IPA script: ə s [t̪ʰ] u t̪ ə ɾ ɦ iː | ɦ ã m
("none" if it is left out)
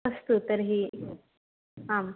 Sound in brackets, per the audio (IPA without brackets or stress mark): t̪